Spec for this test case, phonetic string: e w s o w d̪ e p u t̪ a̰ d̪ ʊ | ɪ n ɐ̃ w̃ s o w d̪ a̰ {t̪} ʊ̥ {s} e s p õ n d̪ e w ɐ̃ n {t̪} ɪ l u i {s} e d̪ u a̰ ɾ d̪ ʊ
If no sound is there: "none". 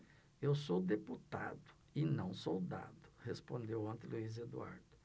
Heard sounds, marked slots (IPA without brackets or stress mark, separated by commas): d̪, h, t̪, z